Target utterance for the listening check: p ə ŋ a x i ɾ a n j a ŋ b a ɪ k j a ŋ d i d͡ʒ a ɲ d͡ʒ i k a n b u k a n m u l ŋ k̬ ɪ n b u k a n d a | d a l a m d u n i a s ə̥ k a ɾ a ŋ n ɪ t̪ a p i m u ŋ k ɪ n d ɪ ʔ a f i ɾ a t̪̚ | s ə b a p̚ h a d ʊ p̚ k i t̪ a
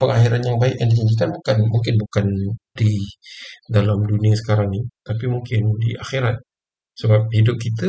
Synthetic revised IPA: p ə ŋ a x i ɾ a n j a ŋ b a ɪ k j a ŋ d i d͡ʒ a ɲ d͡ʒ i k a n b u k a n m u ŋ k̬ ɪ n b u k a n d i | d a l a m d u n i a s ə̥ k a ɾ a ŋ n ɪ t̪ a p i m u ŋ k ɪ n d i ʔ a x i ɾ a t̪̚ | s ə b a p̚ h i d ʊ p̚ k i t̪ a